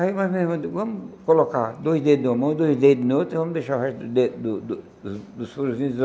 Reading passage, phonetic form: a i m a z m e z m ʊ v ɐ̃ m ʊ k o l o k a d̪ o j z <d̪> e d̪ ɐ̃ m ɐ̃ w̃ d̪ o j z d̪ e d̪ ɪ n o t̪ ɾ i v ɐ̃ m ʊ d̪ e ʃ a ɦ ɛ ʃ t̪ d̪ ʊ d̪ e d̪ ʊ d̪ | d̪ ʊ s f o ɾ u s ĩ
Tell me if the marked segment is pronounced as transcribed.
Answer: yes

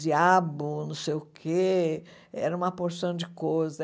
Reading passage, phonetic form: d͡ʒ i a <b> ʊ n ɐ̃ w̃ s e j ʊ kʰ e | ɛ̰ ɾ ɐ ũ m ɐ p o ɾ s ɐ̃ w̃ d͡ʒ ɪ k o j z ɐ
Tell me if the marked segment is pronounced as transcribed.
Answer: yes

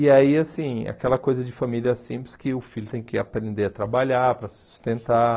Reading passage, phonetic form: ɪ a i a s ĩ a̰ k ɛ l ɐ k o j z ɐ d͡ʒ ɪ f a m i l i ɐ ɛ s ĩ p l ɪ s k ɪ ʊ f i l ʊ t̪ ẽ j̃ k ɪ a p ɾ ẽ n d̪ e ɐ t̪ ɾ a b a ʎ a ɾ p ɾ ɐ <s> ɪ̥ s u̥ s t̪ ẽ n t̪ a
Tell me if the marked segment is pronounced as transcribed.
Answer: yes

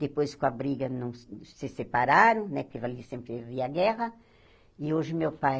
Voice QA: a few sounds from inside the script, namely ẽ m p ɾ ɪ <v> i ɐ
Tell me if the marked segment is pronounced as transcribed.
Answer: yes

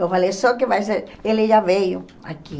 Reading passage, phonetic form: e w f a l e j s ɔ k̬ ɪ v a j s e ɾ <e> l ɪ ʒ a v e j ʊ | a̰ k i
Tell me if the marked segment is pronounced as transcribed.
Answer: yes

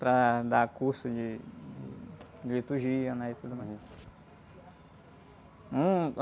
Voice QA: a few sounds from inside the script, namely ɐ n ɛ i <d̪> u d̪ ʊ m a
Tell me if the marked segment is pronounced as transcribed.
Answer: no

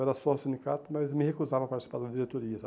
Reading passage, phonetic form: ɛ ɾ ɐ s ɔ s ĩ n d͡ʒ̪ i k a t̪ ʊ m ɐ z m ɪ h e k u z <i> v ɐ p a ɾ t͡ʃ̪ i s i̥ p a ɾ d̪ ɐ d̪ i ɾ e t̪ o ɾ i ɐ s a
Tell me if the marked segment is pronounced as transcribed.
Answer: no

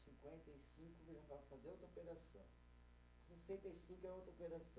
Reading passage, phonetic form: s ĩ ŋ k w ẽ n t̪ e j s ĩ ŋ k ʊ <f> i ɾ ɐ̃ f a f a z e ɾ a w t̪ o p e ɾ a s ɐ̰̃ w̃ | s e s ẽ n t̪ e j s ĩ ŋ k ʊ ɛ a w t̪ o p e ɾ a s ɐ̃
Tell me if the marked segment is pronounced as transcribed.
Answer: no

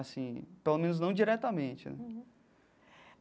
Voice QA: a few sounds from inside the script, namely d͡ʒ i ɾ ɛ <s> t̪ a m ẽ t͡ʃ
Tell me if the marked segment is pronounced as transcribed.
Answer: no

